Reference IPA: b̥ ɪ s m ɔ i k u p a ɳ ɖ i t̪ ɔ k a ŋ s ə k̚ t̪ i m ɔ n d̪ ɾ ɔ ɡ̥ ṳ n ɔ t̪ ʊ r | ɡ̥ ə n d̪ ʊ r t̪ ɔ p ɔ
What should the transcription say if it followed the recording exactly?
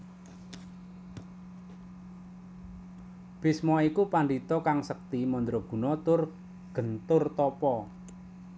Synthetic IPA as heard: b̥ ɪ s m ɔ i k u p a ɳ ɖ i t̪ ɔ k a ŋ s ə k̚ t̪ i m ɔ n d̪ ɾ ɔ ɡ̥ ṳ n ɔ t̪ ʊ r | ɡ̥ ə n t̪ ʊ r t̪ ɔ p ɔ